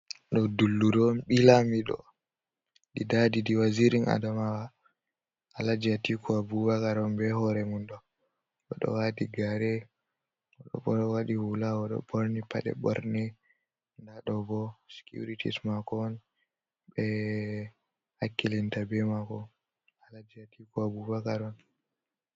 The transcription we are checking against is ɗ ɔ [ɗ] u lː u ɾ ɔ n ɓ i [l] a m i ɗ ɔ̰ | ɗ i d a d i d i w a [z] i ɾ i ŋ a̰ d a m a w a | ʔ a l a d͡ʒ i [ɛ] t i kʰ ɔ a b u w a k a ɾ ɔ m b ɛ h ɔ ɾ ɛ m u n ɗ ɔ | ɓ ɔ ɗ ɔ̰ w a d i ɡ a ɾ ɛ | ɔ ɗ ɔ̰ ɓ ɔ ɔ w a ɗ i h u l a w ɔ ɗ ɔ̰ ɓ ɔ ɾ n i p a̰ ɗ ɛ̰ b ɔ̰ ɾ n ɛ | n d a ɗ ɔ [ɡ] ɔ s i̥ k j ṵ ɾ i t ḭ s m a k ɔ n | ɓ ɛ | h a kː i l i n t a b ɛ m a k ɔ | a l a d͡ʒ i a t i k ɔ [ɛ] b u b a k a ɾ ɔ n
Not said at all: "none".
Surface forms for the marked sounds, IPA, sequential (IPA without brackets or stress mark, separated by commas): d, l, z, a, b, a